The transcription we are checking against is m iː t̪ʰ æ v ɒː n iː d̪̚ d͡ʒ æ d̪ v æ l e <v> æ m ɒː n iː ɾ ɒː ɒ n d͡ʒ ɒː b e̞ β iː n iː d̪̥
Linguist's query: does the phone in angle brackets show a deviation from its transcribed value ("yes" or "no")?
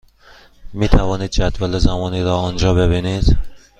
yes